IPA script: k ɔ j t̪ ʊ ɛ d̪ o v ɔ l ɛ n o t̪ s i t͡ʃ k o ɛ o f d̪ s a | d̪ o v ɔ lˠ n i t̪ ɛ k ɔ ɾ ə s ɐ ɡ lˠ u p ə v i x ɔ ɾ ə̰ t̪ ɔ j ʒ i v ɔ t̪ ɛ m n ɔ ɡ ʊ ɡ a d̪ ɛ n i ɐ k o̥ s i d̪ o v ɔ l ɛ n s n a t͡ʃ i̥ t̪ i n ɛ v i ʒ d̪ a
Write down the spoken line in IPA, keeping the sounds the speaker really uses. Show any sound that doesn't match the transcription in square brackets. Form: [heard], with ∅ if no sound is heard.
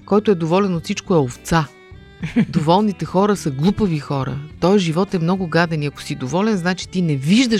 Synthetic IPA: k ɔ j t̪ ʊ ɛ d̪ o v ɔ l ɛ n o t̪ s i t͡ʃ k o ɛ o f [t̪] s a | d̪ o v ɔ lˠ n i t̪ ɛ [x] ɔ ɾ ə s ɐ ɡ lˠ u p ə v i x ɔ ɾ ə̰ t̪ ɔ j ʒ i v ɔ t̪ ɛ m n ɔ ɡ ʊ ɡ a d̪ ɛ n i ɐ k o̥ s i d̪ o v ɔ l ɛ n [z] n a t͡ʃ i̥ t̪ i n ɛ v i ʒ d̪ [ə]